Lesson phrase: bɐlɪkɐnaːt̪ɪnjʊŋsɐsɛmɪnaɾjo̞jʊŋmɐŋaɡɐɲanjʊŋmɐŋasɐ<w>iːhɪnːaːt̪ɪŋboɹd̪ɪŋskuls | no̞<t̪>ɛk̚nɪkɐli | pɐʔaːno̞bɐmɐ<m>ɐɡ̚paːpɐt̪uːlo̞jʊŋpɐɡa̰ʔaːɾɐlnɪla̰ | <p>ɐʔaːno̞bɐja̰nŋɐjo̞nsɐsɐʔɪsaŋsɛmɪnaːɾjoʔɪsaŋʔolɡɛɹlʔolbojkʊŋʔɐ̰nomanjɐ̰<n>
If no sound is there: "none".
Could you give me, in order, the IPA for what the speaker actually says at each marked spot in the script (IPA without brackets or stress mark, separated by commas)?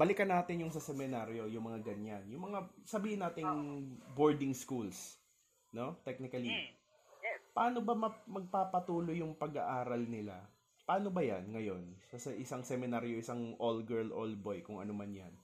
b, t̪, m, p, n